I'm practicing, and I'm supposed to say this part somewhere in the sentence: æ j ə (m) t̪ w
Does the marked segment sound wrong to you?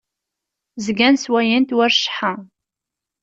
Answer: yes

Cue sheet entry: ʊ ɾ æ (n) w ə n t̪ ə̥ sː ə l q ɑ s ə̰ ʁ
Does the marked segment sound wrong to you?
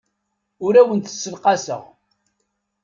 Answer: yes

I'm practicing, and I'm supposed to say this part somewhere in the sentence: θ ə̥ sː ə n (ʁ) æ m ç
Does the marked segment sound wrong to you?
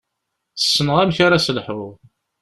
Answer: no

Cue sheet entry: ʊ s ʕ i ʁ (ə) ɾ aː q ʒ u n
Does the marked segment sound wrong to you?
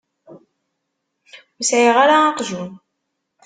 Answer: yes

